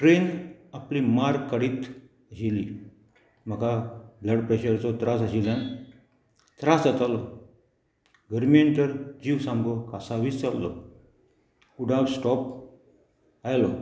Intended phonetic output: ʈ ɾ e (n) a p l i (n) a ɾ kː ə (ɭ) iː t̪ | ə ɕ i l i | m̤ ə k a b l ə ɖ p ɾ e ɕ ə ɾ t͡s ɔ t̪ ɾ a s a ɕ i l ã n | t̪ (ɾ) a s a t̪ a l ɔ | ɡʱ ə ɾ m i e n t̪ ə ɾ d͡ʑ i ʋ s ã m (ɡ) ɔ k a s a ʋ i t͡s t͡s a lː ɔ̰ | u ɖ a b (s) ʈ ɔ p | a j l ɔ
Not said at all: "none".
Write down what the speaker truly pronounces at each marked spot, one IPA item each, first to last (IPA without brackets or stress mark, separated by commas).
n, m, ɽ, ɾ, ɡ, s